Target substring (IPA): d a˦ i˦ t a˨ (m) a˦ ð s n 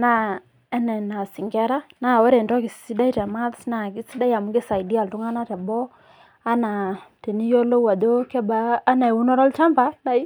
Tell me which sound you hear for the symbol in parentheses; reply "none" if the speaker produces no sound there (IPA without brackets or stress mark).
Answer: m